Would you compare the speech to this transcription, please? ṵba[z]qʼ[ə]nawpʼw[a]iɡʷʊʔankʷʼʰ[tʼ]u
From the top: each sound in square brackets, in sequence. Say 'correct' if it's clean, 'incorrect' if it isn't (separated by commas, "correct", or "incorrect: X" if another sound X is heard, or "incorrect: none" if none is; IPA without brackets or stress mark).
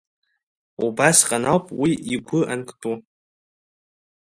incorrect: s, incorrect: a, incorrect: i, correct